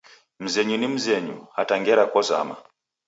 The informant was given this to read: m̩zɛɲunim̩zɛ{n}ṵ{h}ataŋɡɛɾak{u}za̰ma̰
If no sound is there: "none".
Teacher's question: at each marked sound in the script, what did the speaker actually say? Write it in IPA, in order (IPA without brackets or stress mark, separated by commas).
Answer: ɲ, h, ɔ